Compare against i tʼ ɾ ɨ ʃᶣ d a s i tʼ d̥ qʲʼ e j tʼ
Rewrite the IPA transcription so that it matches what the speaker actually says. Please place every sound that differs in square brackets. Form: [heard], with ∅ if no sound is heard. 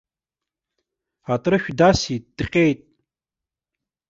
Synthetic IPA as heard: [a] tʼ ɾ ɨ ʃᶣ d a s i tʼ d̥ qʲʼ e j tʼ